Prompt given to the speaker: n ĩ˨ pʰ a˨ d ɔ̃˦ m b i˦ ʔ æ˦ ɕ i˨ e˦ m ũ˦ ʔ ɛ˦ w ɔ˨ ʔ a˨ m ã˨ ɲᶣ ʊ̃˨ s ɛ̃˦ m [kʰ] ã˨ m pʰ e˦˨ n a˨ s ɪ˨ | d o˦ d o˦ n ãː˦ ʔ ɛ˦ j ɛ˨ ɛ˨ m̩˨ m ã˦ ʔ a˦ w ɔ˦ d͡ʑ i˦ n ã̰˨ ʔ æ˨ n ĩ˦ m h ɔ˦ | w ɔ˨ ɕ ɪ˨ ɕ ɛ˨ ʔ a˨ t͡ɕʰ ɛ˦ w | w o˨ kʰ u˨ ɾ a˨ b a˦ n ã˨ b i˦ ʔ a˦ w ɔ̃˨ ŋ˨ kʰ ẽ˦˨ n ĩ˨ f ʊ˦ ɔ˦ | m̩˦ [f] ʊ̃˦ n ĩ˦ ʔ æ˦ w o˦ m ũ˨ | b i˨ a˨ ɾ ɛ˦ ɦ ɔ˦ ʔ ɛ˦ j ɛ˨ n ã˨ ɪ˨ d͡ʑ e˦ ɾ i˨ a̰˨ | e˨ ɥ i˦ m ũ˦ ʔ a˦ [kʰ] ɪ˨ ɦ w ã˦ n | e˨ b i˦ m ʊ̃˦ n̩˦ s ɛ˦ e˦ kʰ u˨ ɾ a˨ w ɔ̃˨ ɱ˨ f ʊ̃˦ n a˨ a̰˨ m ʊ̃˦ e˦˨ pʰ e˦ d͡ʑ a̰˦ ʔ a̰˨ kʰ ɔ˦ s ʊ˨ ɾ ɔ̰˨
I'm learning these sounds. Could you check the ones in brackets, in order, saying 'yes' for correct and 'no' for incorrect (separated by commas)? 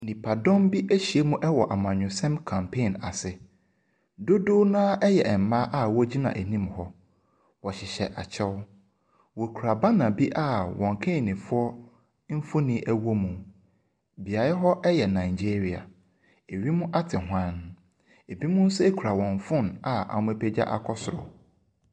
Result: yes, yes, no